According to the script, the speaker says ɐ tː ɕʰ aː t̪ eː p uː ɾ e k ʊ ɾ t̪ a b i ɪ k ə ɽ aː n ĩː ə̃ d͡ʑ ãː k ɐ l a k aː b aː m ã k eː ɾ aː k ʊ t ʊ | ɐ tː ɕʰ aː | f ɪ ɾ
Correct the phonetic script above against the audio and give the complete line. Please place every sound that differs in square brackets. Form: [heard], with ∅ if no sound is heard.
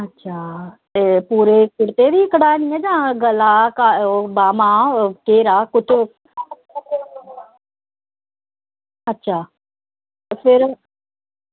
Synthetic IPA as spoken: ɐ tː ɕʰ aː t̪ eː p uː ɾ e k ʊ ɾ t̪ [e] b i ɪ k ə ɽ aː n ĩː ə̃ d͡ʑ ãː [ɡ] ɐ l a k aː b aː m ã k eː ɾ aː k ʊ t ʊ | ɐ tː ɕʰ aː | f ɪ ɾ